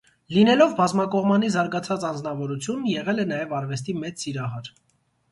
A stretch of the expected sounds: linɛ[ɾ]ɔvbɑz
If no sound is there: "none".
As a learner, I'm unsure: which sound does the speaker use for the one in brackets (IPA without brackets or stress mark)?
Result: l